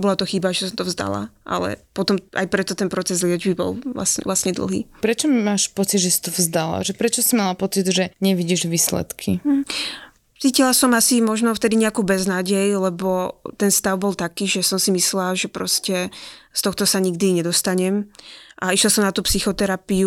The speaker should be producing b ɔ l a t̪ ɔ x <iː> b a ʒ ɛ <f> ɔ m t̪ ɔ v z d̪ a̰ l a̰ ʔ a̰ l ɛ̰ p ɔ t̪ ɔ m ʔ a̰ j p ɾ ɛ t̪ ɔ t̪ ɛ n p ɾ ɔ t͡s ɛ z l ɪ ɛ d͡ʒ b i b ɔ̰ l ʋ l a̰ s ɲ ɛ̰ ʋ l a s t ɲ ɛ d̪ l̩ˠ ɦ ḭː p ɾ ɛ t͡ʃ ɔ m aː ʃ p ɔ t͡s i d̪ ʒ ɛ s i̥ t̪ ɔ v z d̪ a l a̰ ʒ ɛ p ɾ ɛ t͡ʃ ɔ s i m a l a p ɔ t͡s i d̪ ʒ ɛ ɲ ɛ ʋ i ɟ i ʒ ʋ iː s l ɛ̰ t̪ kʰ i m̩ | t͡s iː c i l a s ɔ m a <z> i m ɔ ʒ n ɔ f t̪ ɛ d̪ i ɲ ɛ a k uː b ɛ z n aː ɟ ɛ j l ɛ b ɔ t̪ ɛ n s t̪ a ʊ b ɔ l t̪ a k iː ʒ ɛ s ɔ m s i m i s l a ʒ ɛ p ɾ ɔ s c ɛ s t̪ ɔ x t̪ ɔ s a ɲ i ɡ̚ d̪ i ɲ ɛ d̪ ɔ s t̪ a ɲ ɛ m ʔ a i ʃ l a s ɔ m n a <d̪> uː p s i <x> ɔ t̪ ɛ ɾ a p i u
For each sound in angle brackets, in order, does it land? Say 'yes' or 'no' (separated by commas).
no, no, no, no, yes